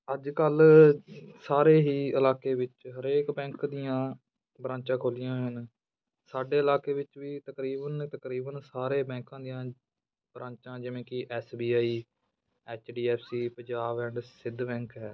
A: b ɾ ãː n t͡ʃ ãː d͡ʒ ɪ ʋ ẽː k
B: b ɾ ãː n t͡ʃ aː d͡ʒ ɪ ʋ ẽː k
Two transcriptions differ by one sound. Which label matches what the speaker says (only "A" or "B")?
A